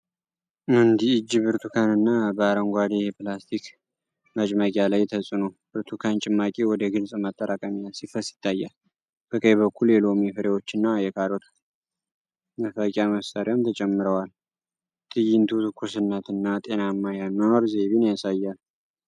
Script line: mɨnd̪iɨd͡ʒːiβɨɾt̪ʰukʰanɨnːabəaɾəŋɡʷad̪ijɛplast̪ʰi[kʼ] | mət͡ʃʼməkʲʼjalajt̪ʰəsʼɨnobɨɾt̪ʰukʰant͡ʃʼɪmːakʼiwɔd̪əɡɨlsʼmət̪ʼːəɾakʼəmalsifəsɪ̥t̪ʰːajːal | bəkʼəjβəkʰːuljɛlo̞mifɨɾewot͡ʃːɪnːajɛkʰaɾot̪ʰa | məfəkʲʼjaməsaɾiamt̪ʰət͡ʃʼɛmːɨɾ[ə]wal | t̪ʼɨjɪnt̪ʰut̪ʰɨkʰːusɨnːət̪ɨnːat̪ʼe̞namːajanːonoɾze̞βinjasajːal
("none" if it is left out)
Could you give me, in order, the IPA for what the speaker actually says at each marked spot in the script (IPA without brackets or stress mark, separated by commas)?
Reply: k, ə